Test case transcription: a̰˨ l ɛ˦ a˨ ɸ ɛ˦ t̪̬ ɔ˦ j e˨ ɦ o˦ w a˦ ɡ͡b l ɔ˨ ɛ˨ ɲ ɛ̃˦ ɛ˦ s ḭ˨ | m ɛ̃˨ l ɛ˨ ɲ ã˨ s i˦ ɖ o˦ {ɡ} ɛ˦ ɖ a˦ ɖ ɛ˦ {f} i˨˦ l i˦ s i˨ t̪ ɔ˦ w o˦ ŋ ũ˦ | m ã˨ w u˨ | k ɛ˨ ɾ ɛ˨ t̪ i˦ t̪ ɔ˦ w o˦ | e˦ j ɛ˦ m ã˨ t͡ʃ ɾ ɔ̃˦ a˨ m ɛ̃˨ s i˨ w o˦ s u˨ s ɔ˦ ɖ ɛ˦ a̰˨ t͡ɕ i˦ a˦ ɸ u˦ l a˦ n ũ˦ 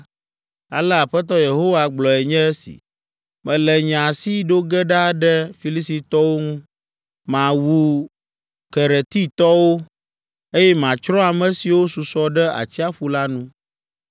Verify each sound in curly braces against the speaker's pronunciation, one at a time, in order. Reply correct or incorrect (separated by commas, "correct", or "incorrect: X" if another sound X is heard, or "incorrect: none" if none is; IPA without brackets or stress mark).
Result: correct, correct